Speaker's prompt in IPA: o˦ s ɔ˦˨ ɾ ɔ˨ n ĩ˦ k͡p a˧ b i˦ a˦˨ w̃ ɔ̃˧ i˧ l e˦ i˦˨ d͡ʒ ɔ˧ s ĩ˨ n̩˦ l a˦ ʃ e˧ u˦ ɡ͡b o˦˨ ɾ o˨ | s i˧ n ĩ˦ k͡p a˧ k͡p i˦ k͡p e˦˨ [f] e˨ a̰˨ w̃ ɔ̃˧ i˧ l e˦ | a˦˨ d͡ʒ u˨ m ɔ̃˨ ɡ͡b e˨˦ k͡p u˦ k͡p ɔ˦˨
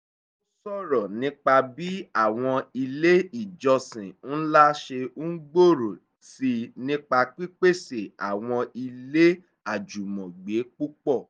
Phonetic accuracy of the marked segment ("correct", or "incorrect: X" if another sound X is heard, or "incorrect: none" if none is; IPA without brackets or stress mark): incorrect: s